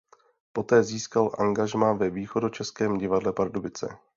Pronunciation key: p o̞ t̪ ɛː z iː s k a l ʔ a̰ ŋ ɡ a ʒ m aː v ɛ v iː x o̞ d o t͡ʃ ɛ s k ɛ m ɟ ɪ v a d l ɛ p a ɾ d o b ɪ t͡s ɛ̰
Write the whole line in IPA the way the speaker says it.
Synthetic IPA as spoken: p o̞ t̪ ɛː z iː s k a l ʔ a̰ ŋ ɡ a ʒ m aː v ɛ v iː x o̞ d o t͡ʃ ɛ s k ɛː m ɟ ɪ v a d l ɛ p a ɾ d o b ɪ t͡s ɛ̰